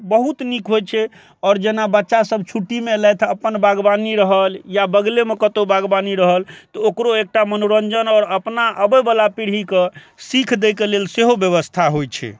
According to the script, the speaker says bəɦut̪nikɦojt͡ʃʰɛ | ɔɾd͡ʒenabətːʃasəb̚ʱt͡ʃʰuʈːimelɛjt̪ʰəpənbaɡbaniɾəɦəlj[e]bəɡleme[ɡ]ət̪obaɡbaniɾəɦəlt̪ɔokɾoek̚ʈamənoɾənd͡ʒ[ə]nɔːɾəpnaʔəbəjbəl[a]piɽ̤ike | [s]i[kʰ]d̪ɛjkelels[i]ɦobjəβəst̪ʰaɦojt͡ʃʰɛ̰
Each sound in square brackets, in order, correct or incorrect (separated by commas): incorrect, incorrect, correct, correct, correct, correct, incorrect